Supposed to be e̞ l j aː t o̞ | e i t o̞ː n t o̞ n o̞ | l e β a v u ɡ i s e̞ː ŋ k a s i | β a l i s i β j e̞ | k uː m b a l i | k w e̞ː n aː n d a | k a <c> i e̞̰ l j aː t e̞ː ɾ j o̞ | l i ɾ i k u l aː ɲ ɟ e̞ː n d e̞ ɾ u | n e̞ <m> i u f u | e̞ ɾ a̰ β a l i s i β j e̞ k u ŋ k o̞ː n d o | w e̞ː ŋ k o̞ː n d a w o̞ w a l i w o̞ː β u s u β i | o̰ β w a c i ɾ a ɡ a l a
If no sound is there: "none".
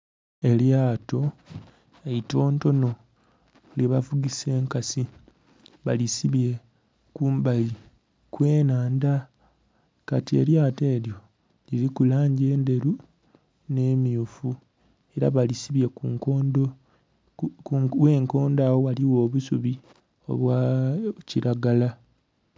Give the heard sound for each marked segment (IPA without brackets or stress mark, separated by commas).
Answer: t, m